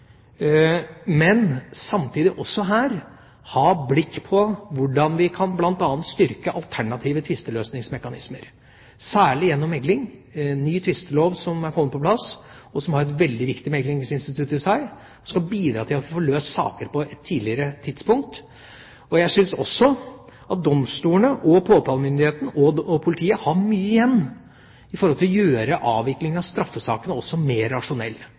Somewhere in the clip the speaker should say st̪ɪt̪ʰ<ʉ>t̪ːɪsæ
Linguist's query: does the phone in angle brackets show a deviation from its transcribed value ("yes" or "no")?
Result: no